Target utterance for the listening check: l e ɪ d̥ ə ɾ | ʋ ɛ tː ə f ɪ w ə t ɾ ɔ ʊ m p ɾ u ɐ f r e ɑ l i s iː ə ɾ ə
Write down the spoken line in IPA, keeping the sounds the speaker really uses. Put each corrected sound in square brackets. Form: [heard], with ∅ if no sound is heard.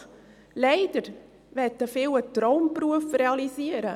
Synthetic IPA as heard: l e ɪ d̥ ə ɾ | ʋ ɛ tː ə f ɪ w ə t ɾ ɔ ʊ m p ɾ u [ə] f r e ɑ l i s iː ə ɾ ə